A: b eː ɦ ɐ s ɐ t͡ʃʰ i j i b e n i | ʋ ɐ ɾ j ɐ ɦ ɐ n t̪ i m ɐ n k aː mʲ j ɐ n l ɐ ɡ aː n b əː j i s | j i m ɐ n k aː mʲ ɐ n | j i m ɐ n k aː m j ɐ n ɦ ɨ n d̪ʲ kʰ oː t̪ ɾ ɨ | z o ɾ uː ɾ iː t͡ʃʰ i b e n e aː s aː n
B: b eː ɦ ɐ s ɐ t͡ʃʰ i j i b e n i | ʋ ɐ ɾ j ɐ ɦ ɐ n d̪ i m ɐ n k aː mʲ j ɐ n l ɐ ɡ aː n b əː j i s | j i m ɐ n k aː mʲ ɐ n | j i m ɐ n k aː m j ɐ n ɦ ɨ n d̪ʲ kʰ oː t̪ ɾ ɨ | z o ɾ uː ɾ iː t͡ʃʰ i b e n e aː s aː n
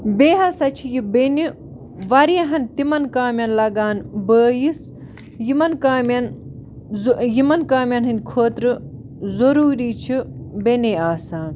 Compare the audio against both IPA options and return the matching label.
A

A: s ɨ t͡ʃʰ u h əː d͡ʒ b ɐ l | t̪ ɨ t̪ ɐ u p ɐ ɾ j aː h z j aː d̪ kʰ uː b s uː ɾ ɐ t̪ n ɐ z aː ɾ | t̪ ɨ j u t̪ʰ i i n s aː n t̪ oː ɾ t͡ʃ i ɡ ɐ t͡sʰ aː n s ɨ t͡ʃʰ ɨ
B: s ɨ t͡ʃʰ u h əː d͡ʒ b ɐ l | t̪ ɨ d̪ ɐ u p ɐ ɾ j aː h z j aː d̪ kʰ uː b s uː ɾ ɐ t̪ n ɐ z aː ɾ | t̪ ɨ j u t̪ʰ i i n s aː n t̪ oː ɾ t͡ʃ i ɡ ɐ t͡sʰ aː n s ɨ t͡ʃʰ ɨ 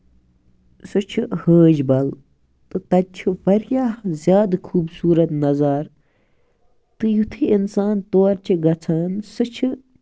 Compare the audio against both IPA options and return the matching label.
A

